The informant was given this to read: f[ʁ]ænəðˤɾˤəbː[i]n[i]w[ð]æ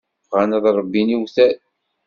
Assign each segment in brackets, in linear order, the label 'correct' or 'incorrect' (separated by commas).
correct, correct, correct, incorrect